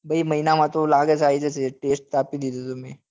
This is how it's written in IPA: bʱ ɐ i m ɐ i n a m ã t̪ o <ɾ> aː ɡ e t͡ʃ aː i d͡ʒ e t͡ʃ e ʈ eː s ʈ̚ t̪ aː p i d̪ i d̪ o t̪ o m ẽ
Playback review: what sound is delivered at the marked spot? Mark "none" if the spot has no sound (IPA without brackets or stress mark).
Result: l